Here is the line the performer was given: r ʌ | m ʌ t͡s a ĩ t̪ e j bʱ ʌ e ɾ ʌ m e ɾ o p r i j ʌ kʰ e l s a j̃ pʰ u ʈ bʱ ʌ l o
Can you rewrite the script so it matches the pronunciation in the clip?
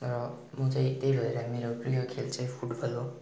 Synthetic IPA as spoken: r ʌ | m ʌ t͡s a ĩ t̪ e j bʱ ʌ e ɾ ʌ m e ɾ o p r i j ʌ kʰ e l t͡s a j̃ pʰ u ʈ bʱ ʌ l o

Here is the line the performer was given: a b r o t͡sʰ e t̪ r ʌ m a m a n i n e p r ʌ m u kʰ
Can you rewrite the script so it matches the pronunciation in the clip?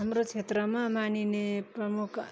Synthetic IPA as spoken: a m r o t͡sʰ e t̪ r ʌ m a m a n i n e p r ʌ m u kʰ

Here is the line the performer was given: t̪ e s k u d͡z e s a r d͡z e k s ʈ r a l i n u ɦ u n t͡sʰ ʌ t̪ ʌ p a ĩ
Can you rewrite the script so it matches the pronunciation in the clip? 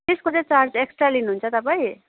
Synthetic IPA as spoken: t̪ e s k o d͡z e t͡s a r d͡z e k s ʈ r a l i n u ɦ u n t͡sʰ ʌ t̪ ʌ p a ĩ

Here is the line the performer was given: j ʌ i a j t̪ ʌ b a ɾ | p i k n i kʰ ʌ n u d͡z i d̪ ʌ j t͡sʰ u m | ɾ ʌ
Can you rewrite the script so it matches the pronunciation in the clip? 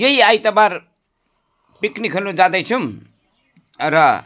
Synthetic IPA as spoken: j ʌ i a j t̪ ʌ b a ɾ | p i k n i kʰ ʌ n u d͡z a d̪ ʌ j t͡sʰ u m | ɾ ʌ

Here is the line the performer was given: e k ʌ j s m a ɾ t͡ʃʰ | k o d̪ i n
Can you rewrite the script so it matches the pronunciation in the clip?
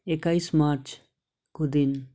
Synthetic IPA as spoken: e k a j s m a ɾ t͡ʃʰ | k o d̪ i n

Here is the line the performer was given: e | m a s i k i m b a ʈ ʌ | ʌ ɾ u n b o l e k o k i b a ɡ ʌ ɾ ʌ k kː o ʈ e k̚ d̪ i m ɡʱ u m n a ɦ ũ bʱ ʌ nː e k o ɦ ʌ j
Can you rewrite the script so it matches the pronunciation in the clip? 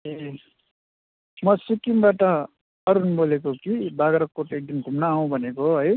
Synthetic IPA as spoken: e | m ʌ s i k i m b a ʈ ʌ | ʌ ɾ u n b o l e k o k i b a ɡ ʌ ɾ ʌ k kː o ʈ e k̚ d̪ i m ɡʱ u m n a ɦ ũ bʱ ʌ n e k o ɦ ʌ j

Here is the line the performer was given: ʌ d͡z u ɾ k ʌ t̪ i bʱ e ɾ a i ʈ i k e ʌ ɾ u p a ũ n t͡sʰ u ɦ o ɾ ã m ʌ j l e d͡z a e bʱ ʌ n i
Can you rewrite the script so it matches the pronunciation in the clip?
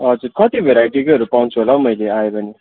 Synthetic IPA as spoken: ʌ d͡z u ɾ k ʌ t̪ i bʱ e ɾ a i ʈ i k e ʌ ɾ u p a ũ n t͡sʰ u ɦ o l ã m ʌ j l e a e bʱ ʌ n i

